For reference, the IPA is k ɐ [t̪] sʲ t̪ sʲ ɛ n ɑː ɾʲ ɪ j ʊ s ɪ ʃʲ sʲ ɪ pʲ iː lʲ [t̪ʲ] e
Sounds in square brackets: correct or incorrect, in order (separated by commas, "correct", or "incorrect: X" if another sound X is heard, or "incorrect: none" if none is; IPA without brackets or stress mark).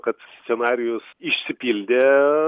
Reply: correct, incorrect: d̪ʲ